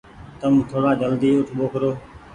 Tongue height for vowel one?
mid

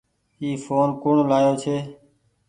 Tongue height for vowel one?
high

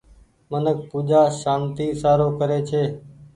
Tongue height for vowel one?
mid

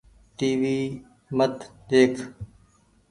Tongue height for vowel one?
high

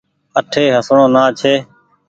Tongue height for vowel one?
mid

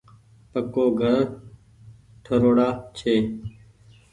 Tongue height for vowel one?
mid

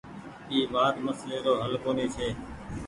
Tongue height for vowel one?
high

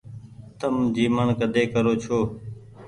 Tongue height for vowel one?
mid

